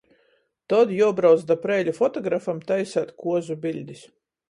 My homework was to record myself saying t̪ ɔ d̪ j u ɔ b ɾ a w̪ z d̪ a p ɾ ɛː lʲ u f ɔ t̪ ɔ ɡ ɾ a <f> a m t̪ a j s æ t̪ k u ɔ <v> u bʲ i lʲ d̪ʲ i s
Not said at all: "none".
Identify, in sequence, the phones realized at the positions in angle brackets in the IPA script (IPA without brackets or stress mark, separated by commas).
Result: f, z